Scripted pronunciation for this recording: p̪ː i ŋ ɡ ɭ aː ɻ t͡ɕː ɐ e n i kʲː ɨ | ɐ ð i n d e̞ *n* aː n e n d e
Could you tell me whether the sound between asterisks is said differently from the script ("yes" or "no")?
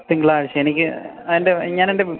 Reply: yes